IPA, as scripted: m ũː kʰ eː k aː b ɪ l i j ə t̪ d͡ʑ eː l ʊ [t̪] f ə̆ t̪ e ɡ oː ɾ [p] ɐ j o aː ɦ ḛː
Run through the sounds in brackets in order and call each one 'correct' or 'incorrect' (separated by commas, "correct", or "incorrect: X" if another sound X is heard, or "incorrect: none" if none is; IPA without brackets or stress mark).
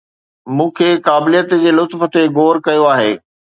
correct, incorrect: k